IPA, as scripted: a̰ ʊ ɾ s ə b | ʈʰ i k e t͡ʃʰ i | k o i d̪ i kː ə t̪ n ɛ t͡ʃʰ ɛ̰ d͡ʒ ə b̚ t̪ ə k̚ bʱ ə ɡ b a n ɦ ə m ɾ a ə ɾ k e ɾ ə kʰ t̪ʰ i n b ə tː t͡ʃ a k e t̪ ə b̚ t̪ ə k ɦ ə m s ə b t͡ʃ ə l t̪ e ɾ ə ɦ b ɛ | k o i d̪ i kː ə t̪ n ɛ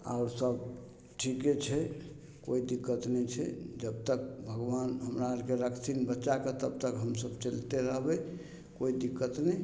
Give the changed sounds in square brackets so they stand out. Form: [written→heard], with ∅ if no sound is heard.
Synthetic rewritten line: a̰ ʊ ɾ s ə b | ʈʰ i k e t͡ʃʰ [i→ɛ] | k o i d̪ i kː ə t̪ n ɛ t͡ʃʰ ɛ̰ d͡ʒ ə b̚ t̪ ə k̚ bʱ ə ɡ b a n ɦ ə m ɾ a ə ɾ k e ɾ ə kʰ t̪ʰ i n b ə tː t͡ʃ a k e t̪ ə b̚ t̪ ə k ɦ ə m s ə b t͡ʃ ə l t̪ e ɾ ə ɦ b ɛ | k o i d̪ i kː ə t̪ n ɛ